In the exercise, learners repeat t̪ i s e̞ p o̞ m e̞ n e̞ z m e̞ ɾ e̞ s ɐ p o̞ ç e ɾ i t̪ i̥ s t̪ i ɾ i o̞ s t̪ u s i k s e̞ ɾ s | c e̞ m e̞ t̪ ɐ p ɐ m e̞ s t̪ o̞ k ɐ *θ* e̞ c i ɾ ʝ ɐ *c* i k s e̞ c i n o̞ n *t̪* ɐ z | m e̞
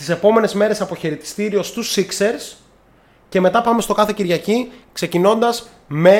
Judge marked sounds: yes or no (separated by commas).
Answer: yes, yes, no